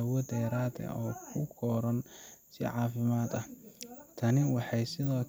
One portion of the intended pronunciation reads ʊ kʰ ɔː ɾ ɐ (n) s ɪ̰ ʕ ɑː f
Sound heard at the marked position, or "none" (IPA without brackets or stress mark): n